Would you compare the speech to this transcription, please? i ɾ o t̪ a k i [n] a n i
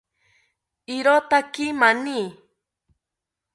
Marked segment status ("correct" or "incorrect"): incorrect